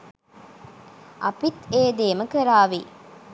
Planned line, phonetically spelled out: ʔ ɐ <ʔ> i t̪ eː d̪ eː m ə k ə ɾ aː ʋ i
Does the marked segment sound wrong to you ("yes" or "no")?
yes